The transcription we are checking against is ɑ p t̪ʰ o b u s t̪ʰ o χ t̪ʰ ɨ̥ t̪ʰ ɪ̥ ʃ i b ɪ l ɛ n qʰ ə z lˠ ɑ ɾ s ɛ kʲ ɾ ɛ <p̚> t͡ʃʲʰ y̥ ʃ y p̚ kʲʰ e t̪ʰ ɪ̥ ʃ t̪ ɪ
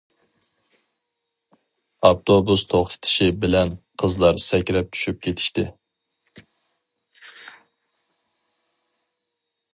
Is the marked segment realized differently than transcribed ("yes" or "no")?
no